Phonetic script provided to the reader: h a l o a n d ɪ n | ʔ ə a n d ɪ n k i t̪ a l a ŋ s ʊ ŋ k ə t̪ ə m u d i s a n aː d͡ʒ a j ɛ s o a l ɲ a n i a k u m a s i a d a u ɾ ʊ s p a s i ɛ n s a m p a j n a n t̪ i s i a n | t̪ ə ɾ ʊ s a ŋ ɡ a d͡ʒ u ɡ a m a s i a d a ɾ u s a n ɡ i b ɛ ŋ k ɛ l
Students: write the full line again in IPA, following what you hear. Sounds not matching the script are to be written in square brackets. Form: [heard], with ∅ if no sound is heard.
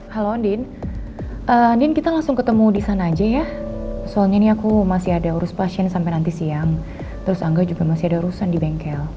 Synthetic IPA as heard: h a l o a n d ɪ n | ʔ ə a n d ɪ n k i t̪ a l a ŋ s ʊ ŋ k ə t̪ ə m u d i s a n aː d͡ʒ a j [a] s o a l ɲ a n i a k u m a s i a d a u ɾ ʊ s p a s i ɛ n s a m p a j n a n t̪ i s i a [ŋ] | t̪ ə ɾ ʊ s a ŋ ɡ a d͡ʒ u ɡ a m a s i a d a ɾ u s a n [d] i b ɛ ŋ k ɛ l